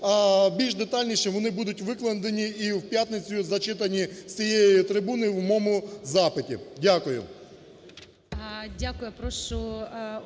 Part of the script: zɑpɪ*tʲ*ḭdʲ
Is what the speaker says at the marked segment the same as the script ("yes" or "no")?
yes